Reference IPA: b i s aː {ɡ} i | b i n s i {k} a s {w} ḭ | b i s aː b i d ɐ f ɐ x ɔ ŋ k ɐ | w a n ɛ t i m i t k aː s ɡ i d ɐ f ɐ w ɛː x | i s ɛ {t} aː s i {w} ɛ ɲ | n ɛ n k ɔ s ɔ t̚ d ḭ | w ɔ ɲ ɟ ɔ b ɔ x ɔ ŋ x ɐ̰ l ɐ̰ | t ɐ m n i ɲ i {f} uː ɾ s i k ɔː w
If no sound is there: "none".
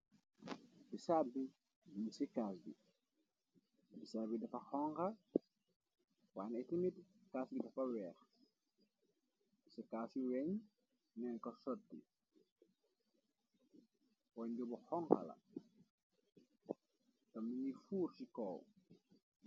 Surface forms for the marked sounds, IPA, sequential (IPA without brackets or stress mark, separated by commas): b, k, b, k, w, f